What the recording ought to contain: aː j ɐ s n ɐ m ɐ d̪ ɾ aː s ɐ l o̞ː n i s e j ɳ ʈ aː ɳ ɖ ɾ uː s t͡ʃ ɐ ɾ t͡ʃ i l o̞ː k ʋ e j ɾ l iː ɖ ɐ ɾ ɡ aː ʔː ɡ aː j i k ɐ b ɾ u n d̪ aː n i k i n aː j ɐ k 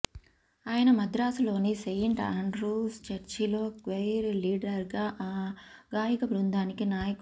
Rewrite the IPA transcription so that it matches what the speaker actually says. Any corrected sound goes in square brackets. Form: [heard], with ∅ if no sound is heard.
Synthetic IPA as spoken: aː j ɐ [∅] n ɐ m ɐ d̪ ɾ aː s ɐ l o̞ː n i s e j ɳ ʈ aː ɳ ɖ ɾ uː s t͡ʃ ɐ ɾ t͡ʃ i l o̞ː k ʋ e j ɾ l iː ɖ ɐ ɾ ɡ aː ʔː ɡ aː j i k ɐ b ɾ u n d̪ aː n i k i n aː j ɐ k